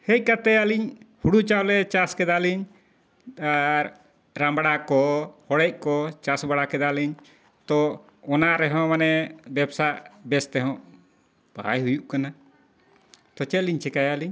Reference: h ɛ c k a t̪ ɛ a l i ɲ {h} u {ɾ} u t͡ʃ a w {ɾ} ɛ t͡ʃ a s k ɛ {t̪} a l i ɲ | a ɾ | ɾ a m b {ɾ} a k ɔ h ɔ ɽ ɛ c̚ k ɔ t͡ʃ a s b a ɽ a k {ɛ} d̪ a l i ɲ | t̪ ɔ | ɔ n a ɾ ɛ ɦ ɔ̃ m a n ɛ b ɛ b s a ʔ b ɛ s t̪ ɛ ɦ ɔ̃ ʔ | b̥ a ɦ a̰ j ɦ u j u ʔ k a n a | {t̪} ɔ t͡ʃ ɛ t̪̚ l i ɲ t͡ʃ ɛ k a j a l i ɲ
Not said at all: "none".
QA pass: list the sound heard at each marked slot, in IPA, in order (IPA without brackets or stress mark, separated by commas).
h, ɽ, l, d̪, ɽ, ɛ, t̪